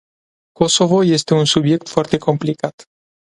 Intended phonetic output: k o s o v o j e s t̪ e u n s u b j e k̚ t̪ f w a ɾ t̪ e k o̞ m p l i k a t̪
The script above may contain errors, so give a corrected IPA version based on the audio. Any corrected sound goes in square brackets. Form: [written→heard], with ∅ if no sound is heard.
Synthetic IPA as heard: k o s o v o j e s t̪ e u n s u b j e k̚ t̪ f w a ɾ t̪ e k o̞ m p l i k a t̪